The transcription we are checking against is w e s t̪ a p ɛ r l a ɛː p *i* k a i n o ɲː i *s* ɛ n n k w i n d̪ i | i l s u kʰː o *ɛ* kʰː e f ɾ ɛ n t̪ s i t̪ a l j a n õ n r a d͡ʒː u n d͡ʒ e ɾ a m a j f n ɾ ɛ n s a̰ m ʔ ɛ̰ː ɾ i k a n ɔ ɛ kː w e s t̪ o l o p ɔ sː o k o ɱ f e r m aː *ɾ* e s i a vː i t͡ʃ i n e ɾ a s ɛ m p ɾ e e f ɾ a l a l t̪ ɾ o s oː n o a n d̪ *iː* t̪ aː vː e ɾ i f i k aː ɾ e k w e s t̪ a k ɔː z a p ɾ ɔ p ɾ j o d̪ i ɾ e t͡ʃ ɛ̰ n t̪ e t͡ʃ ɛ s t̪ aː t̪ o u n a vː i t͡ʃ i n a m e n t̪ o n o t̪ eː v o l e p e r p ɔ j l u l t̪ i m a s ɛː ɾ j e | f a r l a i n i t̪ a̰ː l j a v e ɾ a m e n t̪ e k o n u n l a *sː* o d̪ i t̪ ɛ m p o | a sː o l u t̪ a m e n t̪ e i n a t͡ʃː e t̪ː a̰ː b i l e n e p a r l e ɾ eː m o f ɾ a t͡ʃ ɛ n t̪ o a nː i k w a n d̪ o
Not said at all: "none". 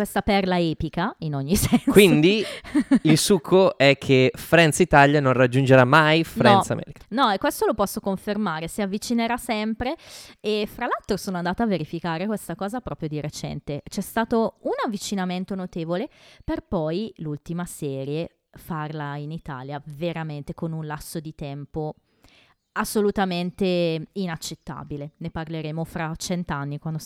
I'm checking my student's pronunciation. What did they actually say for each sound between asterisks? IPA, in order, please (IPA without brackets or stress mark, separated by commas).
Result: i, s, ɛ, ɾ, aː, sː